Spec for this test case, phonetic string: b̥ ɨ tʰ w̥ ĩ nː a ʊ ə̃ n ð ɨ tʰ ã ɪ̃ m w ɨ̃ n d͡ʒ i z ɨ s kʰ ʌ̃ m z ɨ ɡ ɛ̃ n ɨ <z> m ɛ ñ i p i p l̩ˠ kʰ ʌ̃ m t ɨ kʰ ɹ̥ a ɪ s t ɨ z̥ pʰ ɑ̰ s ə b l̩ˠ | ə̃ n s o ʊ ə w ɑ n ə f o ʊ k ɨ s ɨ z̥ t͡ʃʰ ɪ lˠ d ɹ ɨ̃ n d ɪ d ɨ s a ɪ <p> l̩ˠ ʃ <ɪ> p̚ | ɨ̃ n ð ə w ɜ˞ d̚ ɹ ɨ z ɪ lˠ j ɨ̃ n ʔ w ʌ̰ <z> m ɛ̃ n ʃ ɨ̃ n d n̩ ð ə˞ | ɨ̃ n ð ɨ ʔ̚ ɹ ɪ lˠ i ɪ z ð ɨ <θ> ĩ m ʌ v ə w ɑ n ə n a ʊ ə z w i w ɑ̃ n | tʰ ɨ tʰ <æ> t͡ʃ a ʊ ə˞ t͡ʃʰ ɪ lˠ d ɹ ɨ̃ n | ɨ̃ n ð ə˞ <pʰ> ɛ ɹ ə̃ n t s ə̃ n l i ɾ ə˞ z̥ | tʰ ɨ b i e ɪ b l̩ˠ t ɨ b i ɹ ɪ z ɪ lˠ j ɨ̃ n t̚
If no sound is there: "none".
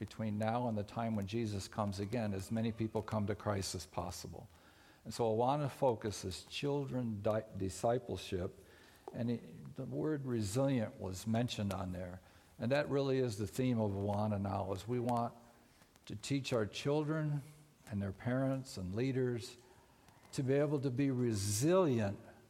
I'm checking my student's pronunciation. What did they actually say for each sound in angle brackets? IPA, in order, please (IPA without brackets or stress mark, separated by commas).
z, p, ɪ, z, θ, i, pʰ